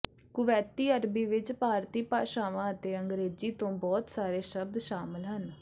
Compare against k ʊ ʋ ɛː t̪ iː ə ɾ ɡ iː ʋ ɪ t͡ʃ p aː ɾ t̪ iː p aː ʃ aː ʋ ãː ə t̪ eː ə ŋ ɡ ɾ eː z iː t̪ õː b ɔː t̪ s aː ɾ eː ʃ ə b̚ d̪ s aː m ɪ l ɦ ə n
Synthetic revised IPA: k ʊ ʋ ɛː t̪ iː ə ɾ b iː ʋ ɪ t͡ʃ p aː ɾ t̪ iː p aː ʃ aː ʋ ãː ə t̪ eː ə ŋ ɡ ɾ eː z iː t̪ õː b ɔː t̪ s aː ɾ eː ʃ ə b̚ d̪ ʃ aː m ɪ l ɦ ə n